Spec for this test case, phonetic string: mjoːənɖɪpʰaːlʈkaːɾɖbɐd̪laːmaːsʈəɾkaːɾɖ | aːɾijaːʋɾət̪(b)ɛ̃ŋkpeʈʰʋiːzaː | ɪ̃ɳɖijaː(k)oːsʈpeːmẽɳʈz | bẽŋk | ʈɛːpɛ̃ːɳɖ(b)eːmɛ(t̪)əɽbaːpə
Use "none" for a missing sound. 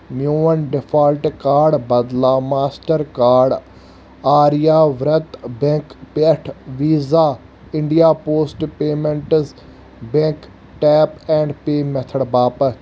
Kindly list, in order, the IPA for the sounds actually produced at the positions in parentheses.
b, p, p, t̪ʰ

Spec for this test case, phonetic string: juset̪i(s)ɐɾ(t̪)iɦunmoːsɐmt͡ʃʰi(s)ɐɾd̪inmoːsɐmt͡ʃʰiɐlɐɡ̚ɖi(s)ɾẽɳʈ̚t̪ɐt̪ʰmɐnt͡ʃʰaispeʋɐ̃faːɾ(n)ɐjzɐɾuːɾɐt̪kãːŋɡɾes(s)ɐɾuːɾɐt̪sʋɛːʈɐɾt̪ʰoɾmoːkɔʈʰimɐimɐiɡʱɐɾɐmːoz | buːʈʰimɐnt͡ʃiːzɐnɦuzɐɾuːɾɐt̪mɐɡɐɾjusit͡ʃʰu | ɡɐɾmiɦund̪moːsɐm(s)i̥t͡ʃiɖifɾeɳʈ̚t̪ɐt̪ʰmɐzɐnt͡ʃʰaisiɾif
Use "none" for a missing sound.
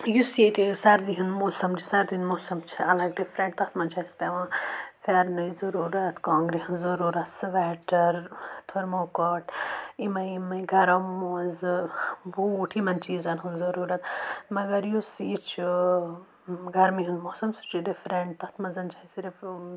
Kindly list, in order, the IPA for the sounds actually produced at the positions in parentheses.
s, d̪, s, f, n, z, s

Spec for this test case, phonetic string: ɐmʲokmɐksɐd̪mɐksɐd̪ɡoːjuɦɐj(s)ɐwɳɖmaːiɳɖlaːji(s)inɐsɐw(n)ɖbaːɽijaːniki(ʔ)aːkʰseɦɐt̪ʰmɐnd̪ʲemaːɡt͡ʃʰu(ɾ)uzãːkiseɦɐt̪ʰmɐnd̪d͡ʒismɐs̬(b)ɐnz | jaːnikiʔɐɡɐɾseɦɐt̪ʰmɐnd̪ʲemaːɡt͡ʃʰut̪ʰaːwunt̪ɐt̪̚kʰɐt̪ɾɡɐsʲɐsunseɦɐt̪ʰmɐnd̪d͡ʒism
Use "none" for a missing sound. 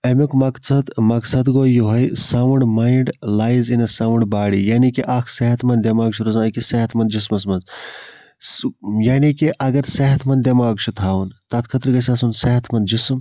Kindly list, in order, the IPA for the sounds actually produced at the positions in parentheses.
s, z, ɳ, ʔ, ɾ, m

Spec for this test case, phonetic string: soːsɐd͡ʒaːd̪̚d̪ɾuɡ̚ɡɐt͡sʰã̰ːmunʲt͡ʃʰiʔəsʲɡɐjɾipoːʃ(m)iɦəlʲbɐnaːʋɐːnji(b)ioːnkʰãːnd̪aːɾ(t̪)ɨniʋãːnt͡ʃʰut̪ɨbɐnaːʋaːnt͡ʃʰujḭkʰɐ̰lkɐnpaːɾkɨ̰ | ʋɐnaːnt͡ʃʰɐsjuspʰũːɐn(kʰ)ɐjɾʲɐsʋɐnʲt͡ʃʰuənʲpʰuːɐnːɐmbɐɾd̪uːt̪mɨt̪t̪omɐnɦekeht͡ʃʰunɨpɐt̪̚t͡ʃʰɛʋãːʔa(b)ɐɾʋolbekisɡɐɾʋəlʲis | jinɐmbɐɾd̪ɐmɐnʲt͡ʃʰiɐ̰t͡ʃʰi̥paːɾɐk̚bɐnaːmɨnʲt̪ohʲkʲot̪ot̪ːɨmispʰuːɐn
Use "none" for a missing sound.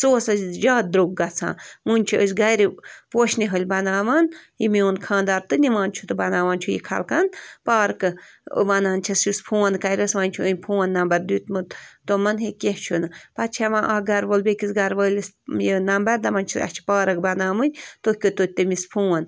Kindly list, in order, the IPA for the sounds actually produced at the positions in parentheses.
n, m, t̪, k, ɡ

